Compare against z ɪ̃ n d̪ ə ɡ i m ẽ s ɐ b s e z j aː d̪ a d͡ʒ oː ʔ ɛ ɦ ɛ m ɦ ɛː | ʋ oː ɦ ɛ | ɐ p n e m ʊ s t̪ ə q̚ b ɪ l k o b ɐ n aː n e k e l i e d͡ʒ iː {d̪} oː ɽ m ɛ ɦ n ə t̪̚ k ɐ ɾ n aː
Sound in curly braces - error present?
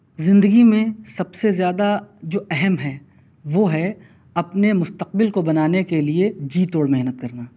yes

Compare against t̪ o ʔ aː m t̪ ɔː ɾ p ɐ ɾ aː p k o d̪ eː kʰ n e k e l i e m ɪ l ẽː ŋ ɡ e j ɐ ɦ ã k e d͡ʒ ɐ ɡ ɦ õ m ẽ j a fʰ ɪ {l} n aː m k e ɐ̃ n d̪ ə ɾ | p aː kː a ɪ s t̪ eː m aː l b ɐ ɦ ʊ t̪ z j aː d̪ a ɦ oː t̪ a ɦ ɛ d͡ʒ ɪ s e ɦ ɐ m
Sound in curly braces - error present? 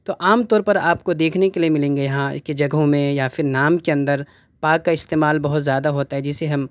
yes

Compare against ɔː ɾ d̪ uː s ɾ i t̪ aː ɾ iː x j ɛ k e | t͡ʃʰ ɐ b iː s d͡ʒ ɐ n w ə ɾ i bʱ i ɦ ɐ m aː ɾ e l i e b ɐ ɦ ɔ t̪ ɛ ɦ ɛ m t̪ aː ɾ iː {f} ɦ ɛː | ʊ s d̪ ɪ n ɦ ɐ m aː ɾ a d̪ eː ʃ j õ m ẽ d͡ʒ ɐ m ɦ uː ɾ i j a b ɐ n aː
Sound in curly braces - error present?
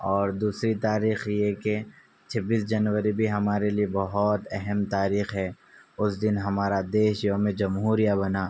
yes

